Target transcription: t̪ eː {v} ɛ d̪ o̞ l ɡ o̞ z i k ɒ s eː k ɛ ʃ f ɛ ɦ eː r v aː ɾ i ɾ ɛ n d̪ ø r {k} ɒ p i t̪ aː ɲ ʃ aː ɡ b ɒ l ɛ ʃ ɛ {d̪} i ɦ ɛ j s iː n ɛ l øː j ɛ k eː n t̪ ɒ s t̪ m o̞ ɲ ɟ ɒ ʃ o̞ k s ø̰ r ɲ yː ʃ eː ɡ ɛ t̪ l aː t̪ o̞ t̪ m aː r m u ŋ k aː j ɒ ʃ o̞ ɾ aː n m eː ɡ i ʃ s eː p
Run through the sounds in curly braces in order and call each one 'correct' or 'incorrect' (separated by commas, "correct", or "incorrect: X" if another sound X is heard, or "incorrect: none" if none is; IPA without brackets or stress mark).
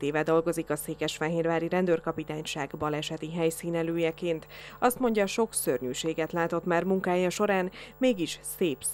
correct, correct, incorrect: t̪